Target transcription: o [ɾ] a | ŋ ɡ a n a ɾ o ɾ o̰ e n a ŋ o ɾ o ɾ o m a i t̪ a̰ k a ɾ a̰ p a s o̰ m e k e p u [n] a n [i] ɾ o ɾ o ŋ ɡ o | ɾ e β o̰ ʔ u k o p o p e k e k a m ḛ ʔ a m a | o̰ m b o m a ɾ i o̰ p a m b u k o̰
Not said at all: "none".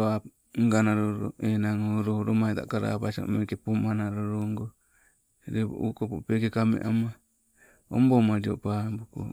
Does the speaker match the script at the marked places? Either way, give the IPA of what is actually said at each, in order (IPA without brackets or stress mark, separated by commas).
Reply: none, m, a